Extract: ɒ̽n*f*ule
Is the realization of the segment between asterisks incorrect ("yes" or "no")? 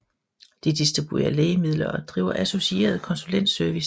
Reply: yes